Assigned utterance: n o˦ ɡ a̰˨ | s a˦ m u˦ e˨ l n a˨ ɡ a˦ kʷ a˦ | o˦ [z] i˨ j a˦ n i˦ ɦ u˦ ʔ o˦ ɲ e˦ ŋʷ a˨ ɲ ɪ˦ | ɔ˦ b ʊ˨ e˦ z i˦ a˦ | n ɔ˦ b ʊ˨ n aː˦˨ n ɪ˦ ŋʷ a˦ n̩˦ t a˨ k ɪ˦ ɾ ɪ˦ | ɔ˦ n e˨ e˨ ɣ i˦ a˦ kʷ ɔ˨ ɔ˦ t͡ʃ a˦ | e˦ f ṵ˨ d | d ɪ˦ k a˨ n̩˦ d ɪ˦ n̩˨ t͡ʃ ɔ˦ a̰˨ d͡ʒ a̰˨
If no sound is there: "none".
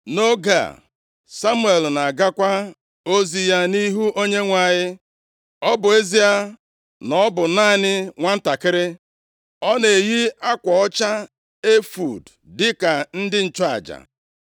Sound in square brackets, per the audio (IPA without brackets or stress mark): z